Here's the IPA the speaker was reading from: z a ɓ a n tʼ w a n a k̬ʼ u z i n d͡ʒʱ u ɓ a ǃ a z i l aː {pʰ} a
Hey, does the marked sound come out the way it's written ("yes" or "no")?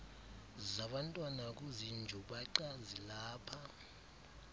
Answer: yes